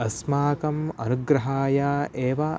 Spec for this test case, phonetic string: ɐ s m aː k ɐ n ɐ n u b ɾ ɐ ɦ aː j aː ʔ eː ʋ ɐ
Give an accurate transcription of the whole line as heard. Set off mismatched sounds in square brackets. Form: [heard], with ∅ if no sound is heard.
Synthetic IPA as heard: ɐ s m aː k ɐ [m] ɐ n u [ɡ] ɾ ɐ ɦ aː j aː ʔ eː ʋ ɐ